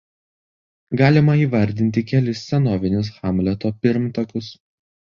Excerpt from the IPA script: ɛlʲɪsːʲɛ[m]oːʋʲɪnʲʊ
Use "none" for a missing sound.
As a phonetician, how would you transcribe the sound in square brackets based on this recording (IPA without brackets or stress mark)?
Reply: n